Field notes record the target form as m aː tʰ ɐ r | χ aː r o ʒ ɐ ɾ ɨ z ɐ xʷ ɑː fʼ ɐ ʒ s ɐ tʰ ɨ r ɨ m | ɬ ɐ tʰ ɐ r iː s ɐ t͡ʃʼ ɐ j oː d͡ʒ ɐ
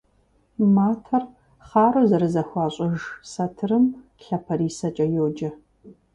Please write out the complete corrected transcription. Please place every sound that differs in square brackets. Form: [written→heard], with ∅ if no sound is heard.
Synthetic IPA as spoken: m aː tʰ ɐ r | χ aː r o [ʒ→z] ɐ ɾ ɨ z ɐ xʷ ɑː [fʼ→ɕʼ] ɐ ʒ s ɐ tʰ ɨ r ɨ m | ɬ ɐ [tʰ→pʰ] ɐ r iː s ɐ t͡ʃʼ ɐ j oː d͡ʒ ɐ